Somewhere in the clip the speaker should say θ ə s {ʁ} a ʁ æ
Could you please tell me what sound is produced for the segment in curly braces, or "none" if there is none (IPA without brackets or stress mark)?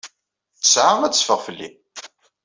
ʕ